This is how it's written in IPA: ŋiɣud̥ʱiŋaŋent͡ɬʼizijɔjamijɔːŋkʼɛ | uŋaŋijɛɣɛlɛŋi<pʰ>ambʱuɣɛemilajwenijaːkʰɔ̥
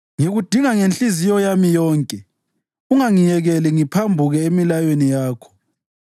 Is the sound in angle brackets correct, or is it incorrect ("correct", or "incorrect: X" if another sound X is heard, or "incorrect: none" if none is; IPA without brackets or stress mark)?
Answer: correct